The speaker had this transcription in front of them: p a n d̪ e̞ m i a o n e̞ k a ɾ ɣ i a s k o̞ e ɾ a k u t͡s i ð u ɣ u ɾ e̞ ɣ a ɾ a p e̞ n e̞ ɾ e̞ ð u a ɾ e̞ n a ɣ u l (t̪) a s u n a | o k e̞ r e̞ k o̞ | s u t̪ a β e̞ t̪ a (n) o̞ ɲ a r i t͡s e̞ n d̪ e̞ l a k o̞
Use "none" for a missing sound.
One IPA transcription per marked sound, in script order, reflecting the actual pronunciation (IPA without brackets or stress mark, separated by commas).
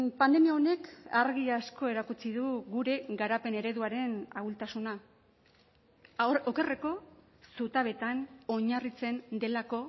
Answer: t̪, n